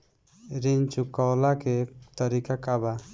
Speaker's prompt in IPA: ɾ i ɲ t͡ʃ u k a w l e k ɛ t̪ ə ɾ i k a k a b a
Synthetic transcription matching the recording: ɾ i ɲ t͡ʃ u k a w l a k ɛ t̪ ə ɾ i k a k a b a